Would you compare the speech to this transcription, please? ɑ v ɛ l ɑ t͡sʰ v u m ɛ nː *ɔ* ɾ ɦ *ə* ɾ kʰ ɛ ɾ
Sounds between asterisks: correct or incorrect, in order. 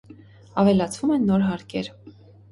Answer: correct, incorrect

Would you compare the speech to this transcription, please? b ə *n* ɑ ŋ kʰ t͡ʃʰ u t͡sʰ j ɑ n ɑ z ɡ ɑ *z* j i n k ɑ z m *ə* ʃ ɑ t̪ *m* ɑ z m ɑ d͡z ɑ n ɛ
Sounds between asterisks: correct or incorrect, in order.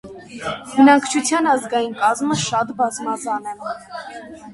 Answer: correct, incorrect, correct, incorrect

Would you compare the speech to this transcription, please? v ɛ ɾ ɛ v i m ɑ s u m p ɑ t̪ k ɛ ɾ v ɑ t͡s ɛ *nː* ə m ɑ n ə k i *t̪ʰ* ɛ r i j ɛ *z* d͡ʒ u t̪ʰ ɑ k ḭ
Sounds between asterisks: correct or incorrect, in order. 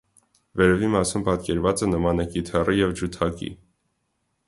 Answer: incorrect, correct, incorrect

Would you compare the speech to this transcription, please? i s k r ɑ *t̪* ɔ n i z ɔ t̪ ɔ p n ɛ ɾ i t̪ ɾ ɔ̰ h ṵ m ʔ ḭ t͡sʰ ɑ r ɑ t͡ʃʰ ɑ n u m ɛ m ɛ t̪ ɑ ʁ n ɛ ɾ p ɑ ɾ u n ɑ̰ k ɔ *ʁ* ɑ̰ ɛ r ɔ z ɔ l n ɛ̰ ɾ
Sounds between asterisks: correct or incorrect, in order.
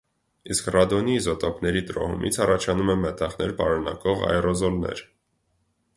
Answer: incorrect, correct

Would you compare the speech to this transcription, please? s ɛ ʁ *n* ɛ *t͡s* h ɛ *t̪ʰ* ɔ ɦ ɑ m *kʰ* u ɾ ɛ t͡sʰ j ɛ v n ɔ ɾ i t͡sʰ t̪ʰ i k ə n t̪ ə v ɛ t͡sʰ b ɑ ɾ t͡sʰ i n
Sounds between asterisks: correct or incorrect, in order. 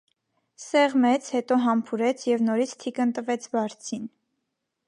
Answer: incorrect, incorrect, incorrect, incorrect

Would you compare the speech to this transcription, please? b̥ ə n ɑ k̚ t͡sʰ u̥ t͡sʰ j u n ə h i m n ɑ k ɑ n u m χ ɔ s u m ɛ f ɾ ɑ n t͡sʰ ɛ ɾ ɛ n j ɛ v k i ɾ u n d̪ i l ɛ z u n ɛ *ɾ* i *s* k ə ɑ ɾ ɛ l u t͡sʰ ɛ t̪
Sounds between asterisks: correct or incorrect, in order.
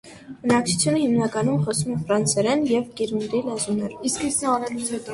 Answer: correct, correct

